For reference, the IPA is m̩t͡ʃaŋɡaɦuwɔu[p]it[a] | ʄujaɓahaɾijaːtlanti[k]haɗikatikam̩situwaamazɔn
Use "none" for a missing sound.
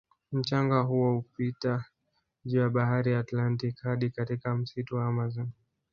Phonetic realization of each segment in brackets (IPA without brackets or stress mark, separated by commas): p, a, k